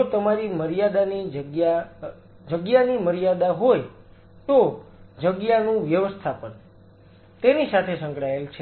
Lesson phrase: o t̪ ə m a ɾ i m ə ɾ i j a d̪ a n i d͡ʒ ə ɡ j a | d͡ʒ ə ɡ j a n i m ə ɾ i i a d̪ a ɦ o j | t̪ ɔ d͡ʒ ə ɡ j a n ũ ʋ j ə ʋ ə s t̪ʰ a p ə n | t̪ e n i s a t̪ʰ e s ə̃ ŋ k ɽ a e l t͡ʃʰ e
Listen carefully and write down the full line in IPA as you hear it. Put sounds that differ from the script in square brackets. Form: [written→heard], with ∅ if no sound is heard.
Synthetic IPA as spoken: o t̪ ə m a ɾ i m ə ɾ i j a d̪ a n i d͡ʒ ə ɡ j a | d͡ʒ ə ɡ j a n i m ə ɾ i [i→j] a d̪ a ɦ o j | t̪ [ɔ→o] d͡ʒ ə ɡ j a n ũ ʋ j ə ʋ ə s t̪ʰ a p ə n | t̪ e n i s a t̪ʰ e s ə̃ ŋ k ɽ a e l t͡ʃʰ e